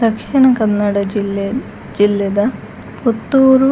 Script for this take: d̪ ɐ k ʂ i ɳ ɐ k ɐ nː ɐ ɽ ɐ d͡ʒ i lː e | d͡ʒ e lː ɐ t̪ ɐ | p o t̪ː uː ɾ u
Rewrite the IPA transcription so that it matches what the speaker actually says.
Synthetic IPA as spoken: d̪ ɐ k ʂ i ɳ ɐ k ɐ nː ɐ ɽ ɐ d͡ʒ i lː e | d͡ʒ i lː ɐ d̪ ɐ | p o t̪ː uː ɾ u